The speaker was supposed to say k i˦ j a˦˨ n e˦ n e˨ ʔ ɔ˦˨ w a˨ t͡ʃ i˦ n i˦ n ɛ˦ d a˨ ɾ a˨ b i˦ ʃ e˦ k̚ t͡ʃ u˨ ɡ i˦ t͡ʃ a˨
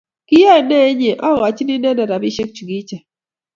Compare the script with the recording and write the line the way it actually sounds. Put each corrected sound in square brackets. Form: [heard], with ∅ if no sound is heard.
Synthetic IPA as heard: k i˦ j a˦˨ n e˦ [ɲ] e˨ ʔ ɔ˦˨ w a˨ t͡ʃ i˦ n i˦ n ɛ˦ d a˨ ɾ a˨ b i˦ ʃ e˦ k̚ t͡ʃ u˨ ɡ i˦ t͡ʃ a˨